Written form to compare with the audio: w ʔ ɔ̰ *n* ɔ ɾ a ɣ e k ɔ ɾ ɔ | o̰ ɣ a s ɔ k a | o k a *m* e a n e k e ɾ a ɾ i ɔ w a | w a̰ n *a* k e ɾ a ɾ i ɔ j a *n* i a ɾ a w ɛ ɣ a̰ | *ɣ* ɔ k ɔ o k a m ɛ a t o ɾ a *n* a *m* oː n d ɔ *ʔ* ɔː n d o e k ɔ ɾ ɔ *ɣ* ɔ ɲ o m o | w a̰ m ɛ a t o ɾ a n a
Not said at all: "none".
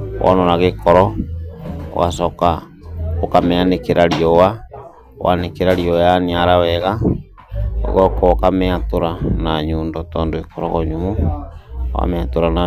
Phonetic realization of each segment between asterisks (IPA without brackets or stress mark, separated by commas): n, m, e, n, ɣ, n, ɲ, t, ɣ